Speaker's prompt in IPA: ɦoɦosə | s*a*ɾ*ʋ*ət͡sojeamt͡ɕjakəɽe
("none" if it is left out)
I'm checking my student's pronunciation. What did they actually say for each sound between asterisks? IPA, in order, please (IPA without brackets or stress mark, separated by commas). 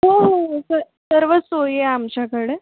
ə, ʋ